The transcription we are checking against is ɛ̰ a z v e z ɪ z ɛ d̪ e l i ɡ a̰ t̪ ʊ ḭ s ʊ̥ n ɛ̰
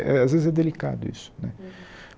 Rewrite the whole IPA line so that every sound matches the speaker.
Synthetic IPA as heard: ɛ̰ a z v e z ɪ z ɛ d̪ e l i k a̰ d̪ ʊ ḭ s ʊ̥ n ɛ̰